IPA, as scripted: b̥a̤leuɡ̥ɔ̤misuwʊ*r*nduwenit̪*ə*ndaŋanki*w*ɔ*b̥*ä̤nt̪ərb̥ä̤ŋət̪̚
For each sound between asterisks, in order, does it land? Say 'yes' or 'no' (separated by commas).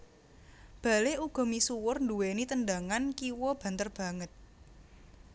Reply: yes, yes, yes, yes